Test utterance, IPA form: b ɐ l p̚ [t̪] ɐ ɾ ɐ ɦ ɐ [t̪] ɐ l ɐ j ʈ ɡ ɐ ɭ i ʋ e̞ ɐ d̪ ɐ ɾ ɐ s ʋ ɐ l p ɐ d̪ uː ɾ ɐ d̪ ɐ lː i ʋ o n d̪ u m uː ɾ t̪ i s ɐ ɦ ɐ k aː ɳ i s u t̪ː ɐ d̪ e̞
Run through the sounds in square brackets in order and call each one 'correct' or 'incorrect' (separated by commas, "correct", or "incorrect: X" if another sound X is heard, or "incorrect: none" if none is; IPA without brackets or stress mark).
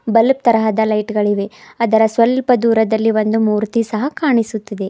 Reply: correct, incorrect: d̪